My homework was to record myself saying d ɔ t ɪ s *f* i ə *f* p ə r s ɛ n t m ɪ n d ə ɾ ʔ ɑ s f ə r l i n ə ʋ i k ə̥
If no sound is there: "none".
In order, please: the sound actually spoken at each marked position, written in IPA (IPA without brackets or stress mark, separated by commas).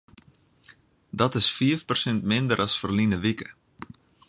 f, f